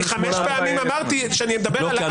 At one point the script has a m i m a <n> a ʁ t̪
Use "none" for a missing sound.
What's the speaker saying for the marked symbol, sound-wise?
m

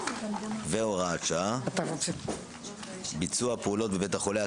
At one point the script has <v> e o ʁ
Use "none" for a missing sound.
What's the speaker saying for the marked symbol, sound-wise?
v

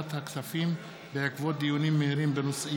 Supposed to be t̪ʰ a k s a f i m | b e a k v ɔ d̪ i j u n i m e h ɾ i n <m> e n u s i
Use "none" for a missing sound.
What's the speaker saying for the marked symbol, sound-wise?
b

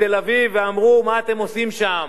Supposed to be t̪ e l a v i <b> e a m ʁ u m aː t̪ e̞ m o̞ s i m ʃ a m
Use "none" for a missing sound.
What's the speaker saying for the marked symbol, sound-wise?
v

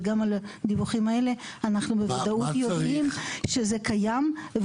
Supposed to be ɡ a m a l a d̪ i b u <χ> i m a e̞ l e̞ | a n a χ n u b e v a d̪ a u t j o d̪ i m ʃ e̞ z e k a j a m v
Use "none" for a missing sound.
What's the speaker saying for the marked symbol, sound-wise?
χ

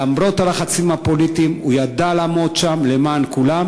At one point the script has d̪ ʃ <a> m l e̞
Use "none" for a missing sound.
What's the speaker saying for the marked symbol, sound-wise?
a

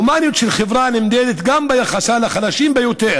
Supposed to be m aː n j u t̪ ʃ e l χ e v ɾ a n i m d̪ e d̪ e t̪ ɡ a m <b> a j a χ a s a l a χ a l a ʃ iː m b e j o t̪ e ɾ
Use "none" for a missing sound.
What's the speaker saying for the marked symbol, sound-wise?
b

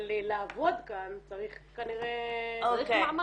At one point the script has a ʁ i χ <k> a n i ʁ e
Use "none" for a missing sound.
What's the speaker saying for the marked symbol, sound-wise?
k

